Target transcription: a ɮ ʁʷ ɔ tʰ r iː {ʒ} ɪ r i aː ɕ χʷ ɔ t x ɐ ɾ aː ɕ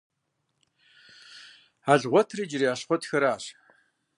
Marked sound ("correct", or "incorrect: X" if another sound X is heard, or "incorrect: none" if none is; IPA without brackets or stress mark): incorrect: d͡ʒ